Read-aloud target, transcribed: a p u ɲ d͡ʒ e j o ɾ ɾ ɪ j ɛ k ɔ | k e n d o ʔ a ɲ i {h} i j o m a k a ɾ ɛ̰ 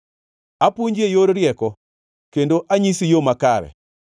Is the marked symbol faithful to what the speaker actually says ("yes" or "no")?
no